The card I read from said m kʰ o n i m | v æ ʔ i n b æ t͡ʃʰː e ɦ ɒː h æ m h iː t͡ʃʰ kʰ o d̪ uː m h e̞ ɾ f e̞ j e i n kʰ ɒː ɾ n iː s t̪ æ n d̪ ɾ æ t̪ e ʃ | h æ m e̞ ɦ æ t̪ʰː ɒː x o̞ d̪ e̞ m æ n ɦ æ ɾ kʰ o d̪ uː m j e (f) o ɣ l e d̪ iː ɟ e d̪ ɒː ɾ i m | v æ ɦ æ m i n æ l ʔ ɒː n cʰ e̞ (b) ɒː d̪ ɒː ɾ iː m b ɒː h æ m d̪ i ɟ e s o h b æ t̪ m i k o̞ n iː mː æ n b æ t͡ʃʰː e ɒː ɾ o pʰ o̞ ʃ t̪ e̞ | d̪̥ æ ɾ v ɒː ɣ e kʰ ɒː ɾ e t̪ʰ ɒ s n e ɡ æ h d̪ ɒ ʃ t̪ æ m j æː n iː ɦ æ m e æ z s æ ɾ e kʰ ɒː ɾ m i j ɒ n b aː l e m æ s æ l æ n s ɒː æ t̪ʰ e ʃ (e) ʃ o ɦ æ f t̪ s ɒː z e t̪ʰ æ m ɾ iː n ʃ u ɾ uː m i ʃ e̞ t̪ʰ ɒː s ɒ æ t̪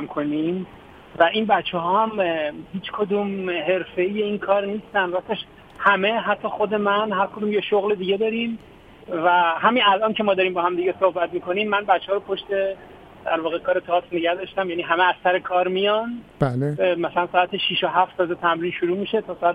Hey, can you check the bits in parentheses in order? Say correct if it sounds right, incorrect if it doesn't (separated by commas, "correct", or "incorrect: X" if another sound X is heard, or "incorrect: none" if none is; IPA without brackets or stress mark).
incorrect: ʃ, incorrect: m, incorrect: i